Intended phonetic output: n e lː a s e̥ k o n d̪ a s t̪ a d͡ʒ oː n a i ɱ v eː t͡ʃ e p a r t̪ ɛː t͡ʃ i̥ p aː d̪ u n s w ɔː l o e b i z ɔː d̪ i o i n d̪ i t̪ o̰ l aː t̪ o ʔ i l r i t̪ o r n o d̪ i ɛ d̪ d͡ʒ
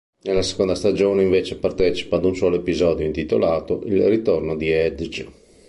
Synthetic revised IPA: n e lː a s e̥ k o n d̪ a s t̪ a d͡ʒ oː n e i ɱ v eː t͡ʃ e p a r t̪ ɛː t͡ʃ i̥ p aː d̪ u n s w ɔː l o e p i z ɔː d̪ j o i n t̪ i t̪ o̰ l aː t̪ o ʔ i l r i t̪ o r n o d̪ i ɛ d̪ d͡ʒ